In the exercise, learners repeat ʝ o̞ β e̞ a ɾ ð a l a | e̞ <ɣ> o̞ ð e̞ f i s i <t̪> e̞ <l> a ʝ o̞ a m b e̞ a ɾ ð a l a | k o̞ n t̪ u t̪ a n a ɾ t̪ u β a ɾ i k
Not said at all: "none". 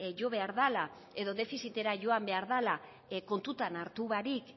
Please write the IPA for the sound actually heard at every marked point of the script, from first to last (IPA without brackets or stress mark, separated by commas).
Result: ð, t̪, ɾ